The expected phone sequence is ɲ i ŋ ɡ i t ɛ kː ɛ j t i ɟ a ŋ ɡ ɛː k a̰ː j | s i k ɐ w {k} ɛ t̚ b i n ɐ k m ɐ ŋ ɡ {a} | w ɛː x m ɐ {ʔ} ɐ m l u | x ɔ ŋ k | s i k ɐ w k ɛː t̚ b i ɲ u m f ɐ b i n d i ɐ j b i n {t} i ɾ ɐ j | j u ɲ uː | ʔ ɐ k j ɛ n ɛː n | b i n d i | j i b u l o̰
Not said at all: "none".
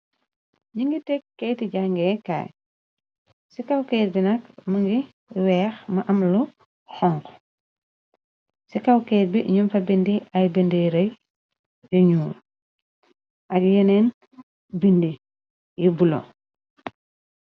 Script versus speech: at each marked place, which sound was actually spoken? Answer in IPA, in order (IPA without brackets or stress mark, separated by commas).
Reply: k, i, ʔ, d